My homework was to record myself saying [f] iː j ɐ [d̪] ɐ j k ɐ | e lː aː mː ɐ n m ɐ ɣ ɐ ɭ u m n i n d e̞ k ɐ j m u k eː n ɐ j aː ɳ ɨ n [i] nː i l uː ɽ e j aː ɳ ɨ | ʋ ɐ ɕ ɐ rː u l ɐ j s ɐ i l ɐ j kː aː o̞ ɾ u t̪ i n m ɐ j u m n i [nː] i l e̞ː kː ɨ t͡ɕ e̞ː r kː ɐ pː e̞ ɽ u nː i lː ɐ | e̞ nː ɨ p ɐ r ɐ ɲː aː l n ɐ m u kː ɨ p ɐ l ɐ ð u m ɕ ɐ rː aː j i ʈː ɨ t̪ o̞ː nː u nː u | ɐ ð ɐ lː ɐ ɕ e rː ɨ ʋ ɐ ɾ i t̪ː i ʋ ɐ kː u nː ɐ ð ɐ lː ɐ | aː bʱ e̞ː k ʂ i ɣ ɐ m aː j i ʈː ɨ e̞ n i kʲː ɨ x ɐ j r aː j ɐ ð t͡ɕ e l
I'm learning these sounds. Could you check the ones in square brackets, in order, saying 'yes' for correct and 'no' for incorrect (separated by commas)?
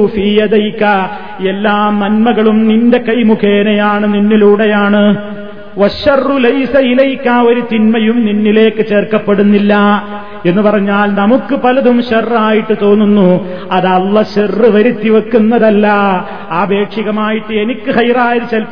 yes, yes, yes, yes